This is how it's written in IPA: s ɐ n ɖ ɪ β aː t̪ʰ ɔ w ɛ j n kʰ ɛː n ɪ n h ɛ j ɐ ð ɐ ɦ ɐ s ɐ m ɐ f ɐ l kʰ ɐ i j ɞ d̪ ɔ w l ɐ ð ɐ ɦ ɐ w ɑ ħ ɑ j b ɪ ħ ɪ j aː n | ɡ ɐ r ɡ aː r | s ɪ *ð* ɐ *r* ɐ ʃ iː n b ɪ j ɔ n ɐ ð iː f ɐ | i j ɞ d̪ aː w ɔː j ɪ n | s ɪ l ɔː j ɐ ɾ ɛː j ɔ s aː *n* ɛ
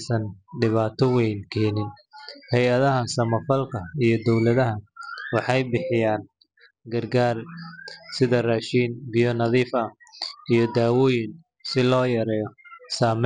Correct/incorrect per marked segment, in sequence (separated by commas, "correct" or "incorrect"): correct, correct, incorrect